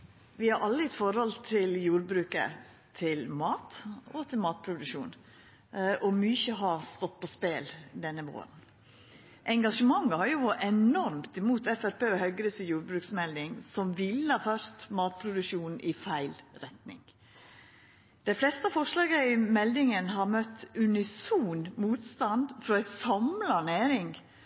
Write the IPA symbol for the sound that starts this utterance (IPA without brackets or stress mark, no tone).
ʋ